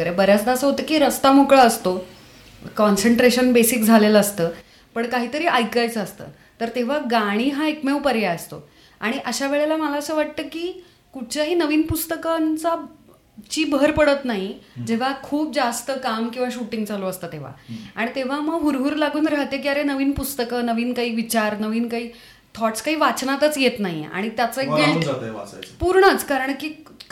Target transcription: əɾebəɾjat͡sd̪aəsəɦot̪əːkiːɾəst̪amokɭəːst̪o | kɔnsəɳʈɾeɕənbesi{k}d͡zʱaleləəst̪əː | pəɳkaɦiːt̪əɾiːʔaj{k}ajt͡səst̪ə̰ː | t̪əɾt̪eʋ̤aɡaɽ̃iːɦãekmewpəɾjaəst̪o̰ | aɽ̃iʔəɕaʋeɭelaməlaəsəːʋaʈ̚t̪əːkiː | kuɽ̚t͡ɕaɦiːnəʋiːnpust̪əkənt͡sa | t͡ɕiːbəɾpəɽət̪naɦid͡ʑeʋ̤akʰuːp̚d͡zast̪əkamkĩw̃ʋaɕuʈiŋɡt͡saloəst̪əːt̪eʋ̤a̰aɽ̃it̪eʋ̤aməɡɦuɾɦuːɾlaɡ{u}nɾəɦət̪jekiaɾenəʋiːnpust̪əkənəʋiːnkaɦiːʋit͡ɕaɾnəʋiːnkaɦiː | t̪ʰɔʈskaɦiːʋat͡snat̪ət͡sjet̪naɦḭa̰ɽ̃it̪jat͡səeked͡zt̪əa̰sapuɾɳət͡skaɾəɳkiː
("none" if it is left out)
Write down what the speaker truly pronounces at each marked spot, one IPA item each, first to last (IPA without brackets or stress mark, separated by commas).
k, k, uː